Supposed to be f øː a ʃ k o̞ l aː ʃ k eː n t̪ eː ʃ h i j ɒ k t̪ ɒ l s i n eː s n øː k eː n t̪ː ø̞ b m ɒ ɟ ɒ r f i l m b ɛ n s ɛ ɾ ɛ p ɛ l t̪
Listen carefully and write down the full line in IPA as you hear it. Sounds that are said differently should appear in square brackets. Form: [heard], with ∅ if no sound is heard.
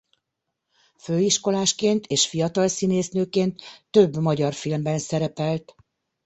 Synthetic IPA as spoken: f øː [i] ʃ k o̞ l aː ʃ k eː n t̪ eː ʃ [f] i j ɒ [∅] t̪ ɒ l s i n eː s n øː k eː n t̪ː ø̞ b m ɒ ɟ ɒ r f i l m b ɛ n s ɛ ɾ ɛ p ɛ l t̪